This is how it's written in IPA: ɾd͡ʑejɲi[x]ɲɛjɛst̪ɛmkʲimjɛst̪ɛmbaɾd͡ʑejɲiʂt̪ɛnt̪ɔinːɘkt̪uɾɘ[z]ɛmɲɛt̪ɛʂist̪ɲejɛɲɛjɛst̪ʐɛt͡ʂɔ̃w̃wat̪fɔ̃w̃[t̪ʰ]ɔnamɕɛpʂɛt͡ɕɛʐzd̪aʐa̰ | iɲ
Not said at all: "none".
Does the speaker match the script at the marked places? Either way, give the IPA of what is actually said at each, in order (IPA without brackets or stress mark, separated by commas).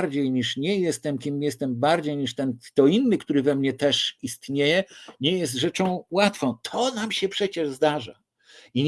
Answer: ʂ, v, t̪ʰ